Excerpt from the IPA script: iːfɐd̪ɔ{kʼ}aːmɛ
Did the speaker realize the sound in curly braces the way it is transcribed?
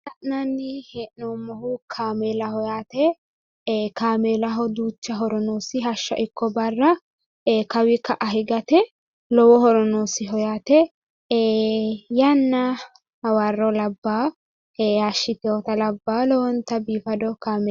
no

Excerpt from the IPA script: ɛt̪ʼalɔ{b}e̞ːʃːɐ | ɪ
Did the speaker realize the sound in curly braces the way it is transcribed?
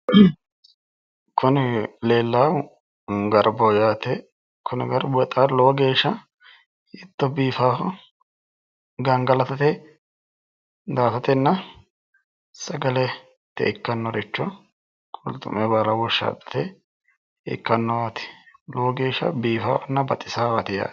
no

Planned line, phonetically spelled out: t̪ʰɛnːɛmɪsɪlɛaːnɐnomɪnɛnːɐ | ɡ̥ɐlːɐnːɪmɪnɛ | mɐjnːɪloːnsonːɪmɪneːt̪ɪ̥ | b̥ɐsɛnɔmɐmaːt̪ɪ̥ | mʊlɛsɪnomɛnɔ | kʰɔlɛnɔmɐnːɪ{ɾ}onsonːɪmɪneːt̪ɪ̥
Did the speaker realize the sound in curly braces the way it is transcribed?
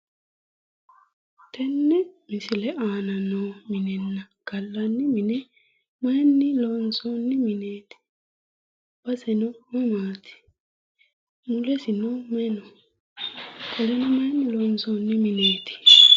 no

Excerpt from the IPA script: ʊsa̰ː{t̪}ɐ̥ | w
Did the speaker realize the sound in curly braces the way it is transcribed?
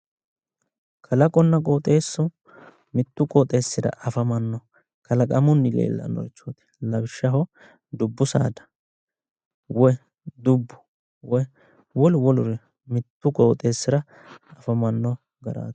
no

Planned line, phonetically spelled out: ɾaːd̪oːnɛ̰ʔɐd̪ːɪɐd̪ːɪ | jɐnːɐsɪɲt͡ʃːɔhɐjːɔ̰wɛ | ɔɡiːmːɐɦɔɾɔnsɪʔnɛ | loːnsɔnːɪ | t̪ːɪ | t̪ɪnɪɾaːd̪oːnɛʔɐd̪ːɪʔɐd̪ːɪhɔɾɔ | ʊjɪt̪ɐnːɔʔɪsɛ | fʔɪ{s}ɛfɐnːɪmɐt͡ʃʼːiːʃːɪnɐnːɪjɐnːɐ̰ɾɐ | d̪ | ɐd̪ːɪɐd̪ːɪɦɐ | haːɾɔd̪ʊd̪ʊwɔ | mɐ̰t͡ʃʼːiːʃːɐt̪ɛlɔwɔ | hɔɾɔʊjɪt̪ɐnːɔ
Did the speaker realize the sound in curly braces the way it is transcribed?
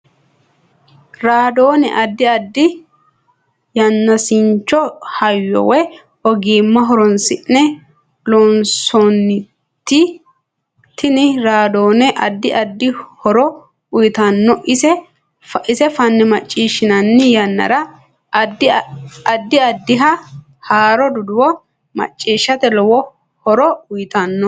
yes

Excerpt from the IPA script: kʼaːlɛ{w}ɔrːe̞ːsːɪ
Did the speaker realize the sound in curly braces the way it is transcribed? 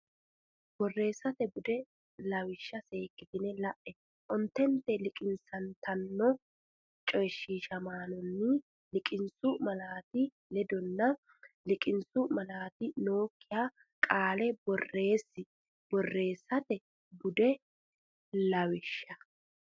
no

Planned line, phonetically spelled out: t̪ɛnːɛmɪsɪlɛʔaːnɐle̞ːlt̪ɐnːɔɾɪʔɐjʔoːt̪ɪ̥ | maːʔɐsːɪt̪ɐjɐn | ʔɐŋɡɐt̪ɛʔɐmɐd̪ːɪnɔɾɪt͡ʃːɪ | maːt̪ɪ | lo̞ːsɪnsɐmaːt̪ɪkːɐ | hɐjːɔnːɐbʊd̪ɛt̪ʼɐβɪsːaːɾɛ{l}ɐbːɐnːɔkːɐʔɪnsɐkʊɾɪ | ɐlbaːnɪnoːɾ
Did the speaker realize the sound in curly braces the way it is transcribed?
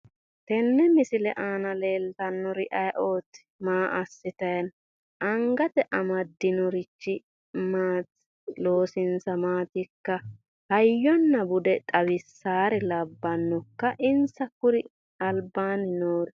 yes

